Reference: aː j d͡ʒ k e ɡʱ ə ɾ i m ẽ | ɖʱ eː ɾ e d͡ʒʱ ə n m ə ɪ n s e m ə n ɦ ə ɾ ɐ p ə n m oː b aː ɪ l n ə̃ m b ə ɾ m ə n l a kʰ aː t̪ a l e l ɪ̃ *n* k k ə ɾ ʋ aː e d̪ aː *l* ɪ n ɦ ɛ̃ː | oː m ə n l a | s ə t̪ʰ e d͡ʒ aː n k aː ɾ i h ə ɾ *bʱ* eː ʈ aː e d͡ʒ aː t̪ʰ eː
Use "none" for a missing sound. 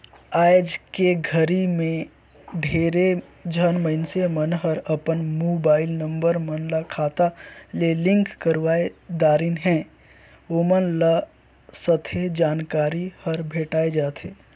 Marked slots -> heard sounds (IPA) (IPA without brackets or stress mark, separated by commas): ŋ, ɾ, bʱ